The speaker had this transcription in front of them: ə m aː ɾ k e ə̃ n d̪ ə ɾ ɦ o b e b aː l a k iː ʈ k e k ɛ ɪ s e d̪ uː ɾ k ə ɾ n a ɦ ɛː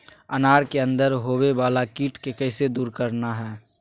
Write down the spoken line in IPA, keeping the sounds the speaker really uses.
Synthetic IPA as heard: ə n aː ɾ k e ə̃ n d̪ ə ɾ ɦ o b e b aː l a k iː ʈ k e k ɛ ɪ s e d̪ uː ɾ k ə ɾ n a ɦ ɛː